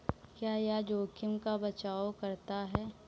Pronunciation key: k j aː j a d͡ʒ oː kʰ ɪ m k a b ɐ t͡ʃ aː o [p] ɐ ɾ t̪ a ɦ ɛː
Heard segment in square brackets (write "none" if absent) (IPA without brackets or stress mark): k